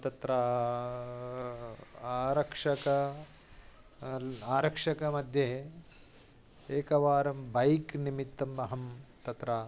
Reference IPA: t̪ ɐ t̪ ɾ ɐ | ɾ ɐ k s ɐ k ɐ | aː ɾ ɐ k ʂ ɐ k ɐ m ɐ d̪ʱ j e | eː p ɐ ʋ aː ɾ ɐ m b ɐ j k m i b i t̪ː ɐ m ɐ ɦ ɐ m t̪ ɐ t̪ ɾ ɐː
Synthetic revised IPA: t̪ ɐ t̪ ɾ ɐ | ɾ ɐ k ʂ ɐ k ɐ | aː ɾ ɐ k ʂ ɐ k ɐ m ɐ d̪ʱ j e | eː k ɐ ʋ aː ɾ ɐ m b ɐ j k n i m i t̪ː ɐ m ɐ ɦ ɐ m t̪ ɐ t̪ ɾ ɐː